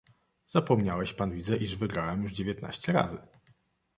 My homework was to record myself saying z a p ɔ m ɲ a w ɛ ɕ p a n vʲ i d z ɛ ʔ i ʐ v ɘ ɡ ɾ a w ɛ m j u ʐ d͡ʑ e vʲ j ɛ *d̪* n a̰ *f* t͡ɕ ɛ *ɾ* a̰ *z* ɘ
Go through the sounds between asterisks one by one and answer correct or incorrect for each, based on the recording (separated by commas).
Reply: incorrect, incorrect, correct, correct